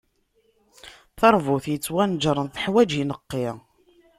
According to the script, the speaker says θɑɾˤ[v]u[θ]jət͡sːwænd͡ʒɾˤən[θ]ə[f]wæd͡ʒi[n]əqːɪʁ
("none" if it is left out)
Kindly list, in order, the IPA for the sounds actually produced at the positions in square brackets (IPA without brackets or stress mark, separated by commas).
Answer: v, θ, θ, ħ, n